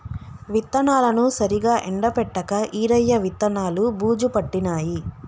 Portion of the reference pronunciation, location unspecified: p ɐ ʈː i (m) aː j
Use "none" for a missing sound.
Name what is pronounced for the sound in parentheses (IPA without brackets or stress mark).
n